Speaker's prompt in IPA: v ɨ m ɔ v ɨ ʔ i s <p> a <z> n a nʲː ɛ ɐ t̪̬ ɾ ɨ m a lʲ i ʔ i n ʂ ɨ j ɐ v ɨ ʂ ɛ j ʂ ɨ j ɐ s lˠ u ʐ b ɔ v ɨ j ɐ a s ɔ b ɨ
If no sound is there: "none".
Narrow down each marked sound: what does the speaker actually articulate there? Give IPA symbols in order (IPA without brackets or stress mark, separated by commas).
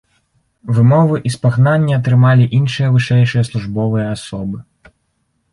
p, ɣ